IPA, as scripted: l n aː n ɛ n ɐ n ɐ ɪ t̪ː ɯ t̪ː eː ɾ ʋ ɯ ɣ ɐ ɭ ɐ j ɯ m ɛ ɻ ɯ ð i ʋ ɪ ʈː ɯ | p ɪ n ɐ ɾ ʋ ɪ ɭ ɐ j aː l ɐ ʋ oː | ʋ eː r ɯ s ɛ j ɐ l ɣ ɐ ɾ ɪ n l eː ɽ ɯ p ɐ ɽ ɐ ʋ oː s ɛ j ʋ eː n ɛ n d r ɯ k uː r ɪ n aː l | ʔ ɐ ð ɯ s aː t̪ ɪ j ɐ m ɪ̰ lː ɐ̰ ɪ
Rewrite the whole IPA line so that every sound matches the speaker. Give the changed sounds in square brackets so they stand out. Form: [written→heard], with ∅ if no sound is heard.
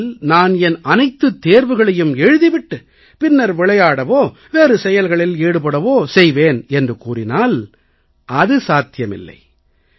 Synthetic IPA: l n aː n ɛ n ɐ n ɐ ɪ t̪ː ɯ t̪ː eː ɾ ʋ ɯ ɣ ɐ ɭ ɐ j ɯ m ɛ ɻ ɯ ð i ʋ ɪ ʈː ɯ | p ɪ [n→nː] ɐ ɾ ʋ ɪ ɭ ɐ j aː [l→ɽ] ɐ ʋ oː | ʋ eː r ɯ s ɛ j ɐ l ɣ ɐ [ɾ→ɭ] ɪ [n→∅] l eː ɽ ɯ p ɐ ɽ ɐ ʋ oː s ɛ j ʋ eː n ɛ n d r ɯ k uː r ɪ n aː l | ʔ ɐ ð ɯ s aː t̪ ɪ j ɐ m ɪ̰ lː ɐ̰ ɪ